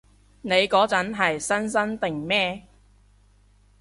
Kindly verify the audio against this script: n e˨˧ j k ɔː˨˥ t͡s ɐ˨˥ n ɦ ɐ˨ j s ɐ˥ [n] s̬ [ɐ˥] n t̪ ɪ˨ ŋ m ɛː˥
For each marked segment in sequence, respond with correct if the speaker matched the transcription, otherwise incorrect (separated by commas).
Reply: correct, correct